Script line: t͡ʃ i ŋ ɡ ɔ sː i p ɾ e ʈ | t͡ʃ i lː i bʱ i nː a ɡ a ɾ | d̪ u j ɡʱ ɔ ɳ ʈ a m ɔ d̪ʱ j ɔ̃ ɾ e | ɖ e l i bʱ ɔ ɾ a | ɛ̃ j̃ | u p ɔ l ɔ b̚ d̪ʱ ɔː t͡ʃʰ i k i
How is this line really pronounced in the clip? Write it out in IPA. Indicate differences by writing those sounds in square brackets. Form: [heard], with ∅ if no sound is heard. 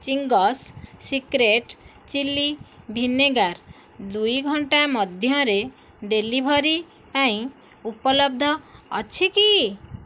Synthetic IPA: t͡ʃ i ŋ ɡ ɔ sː i [k] ɾ e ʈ | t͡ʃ i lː i bʱ i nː [e] ɡ a ɾ | d̪ u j ɡʱ ɔ ɳ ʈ a m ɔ d̪ʱ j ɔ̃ ɾ e | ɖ e l i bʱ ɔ ɾ [i] | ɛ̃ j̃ | u p ɔ l ɔ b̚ d̪ʱ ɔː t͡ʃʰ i k i